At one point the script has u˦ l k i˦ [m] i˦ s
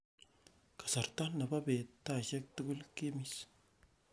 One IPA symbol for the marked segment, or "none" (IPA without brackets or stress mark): m